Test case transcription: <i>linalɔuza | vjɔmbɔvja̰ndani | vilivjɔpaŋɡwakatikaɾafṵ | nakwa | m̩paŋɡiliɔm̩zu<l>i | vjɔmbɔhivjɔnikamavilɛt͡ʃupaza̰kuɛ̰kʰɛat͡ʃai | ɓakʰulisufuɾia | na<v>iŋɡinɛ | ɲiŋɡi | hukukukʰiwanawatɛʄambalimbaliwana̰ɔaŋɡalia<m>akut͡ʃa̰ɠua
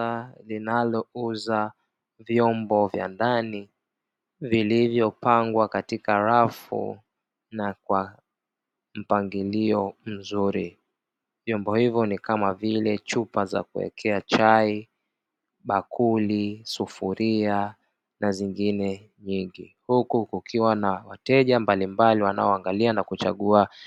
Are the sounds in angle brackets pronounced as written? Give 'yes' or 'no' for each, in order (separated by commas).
no, no, no, no